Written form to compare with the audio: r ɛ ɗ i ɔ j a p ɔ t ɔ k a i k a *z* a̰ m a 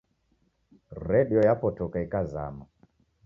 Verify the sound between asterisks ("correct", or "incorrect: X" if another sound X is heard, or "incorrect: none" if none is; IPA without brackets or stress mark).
correct